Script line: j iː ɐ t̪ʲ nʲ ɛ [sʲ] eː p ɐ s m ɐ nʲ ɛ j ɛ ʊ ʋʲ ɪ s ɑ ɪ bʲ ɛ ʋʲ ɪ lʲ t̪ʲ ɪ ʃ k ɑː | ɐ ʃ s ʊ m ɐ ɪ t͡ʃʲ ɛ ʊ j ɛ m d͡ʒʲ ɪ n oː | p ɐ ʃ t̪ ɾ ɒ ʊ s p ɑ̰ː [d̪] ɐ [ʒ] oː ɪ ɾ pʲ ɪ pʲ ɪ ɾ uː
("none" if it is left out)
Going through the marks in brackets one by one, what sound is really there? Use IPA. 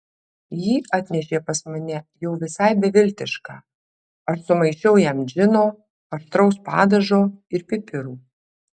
ʃʲ, d̪, ʒ

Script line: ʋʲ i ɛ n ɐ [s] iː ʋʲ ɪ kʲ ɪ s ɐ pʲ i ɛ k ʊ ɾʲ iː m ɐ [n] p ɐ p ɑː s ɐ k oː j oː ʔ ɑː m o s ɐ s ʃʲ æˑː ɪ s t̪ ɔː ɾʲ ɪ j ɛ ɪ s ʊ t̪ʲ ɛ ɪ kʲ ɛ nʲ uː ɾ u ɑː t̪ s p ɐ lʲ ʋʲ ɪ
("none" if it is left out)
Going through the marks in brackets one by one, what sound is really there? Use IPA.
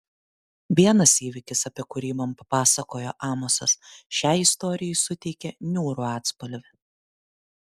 s, m

